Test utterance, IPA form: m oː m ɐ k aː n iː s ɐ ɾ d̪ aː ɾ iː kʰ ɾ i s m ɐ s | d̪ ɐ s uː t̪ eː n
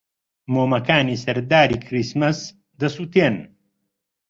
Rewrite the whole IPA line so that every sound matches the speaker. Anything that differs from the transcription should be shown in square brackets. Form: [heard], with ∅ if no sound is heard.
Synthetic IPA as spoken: m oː m ɐ k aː n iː s ɐ ɾ d̪ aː ɾ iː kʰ ɾ i s m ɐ s | d̪ ɐ s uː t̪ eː n